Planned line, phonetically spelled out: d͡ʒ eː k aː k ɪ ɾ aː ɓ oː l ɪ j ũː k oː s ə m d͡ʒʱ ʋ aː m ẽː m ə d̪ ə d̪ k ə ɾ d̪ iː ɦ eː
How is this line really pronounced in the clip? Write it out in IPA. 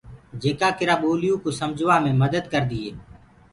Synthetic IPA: d͡ʒ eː k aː k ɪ ɾ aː ɓ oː l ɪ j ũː k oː s ə m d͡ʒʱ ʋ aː m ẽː m ə d̪ ə d̪ k ə ɾ d̪ iː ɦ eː